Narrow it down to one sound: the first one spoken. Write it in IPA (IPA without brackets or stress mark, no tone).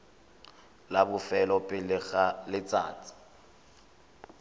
l